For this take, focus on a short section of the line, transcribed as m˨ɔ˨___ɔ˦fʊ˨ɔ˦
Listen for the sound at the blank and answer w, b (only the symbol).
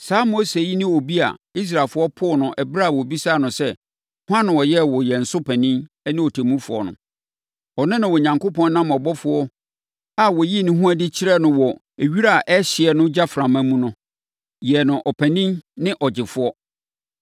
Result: b